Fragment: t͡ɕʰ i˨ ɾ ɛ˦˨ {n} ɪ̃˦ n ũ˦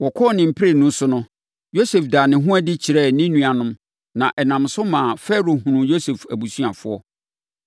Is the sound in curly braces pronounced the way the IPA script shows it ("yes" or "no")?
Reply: yes